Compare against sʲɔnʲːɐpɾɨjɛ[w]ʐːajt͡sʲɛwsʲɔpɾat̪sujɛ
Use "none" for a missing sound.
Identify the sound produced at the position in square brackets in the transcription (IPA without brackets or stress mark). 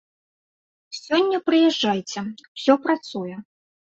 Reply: none